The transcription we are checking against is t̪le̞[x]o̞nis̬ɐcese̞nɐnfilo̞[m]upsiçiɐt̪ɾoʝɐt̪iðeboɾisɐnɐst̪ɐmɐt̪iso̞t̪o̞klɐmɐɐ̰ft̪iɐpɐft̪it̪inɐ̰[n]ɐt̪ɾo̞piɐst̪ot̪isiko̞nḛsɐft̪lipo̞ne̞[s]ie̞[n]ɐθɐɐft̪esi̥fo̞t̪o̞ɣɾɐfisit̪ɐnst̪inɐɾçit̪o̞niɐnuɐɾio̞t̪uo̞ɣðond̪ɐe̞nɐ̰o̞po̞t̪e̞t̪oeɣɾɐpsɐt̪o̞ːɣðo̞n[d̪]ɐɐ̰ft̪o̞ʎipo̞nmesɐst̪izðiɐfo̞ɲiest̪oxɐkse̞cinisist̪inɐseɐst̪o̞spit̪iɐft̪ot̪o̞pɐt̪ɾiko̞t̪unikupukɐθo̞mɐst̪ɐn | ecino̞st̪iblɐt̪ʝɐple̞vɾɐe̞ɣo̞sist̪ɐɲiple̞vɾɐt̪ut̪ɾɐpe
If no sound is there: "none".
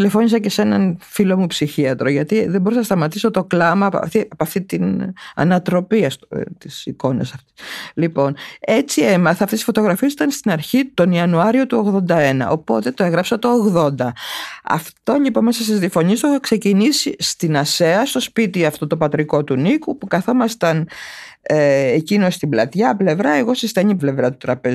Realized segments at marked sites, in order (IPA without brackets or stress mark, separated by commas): f, m, n, t͡s, m, d̪